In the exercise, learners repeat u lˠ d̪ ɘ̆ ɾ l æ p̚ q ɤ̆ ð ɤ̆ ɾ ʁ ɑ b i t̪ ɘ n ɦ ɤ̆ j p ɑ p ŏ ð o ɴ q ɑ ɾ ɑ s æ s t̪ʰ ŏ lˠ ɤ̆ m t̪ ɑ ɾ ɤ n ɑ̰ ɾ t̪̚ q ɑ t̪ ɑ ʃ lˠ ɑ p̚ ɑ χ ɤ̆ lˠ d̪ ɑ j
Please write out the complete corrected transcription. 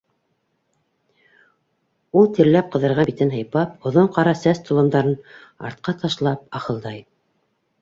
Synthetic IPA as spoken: u lˠ t̪ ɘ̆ ɾ l æ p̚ q ɤ̆ ð ɤ̆ ɾ ʁ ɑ b i t̪ ɘ n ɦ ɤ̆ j p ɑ p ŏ ð o ɴ q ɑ ɾ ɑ s æ s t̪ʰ ŏ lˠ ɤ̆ m d̪ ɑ ɾ ɤ n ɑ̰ ɾ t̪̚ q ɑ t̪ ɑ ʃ lˠ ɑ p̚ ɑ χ ɤ̆ lˠ d̪ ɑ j